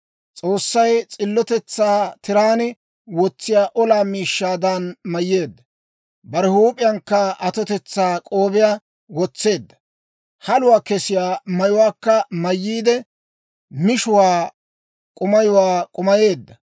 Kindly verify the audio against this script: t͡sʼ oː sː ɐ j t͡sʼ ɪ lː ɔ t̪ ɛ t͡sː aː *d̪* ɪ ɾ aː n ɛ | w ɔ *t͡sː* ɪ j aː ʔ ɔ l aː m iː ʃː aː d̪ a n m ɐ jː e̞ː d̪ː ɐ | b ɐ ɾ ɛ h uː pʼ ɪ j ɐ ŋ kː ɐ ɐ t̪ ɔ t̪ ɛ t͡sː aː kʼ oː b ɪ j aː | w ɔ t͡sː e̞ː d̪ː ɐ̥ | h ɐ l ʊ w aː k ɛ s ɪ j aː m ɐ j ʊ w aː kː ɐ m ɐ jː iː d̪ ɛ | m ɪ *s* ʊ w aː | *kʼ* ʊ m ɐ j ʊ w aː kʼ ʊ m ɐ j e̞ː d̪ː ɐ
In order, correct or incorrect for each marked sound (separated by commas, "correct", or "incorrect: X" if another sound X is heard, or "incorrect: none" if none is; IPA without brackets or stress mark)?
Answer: incorrect: t̪, correct, incorrect: ʃ, correct